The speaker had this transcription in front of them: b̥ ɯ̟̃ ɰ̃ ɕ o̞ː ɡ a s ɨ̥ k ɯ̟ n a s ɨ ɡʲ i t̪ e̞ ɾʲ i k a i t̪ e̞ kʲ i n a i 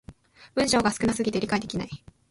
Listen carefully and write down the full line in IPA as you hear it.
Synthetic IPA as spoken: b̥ ɯ̟̃ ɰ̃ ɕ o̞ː ɡ a s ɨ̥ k ɯ̟ n a s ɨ ɡʲ i t̪ e̞ ɾʲ i k a i d̪ e̞ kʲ i n a i